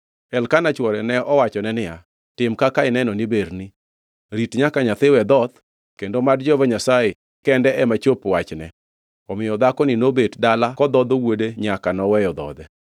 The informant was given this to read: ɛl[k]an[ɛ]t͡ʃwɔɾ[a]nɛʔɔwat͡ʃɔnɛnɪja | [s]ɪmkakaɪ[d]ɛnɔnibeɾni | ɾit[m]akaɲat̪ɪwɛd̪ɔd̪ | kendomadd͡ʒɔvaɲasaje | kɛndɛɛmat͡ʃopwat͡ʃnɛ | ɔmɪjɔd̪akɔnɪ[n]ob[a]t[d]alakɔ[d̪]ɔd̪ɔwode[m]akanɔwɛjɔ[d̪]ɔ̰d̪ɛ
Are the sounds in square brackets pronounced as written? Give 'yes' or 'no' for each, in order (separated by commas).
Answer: yes, no, no, no, no, no, yes, no, yes, yes, no, yes